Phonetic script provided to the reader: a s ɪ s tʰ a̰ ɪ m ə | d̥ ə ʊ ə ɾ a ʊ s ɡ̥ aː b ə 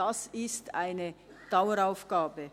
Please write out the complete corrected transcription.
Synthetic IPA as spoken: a s ɪ s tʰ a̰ ɪ n ə | d̥ a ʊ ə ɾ a ʊ f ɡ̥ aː b ə